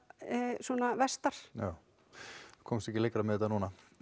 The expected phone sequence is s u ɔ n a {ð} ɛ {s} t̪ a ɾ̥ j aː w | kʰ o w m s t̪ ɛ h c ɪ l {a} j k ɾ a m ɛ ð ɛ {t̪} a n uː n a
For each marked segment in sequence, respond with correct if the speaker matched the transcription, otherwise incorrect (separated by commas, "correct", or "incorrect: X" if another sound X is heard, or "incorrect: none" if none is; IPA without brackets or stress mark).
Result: incorrect: v, correct, incorrect: e, correct